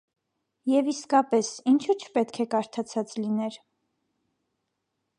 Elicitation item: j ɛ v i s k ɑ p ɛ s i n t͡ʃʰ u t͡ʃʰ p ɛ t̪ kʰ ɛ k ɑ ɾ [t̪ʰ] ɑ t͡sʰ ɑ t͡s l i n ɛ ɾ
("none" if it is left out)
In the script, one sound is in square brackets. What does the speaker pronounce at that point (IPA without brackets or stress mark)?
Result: t̪ʰ